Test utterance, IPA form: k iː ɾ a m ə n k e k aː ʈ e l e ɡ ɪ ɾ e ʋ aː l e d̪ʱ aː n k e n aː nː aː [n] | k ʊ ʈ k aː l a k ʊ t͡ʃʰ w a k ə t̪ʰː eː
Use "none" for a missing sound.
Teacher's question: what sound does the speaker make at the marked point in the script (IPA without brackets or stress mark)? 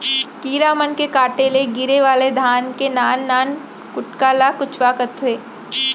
n